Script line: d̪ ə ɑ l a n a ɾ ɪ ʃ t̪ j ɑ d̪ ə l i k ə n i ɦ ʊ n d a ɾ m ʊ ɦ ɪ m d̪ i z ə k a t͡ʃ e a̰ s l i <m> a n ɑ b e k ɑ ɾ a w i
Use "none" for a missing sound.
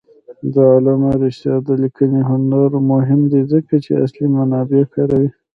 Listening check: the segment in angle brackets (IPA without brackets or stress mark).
m